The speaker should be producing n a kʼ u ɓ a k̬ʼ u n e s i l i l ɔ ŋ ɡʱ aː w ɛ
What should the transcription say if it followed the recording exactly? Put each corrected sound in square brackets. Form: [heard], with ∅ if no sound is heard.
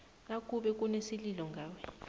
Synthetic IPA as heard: n a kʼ u ɓ [ɛ] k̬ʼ u n e s i l i l ɔ ŋ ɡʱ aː w ɛ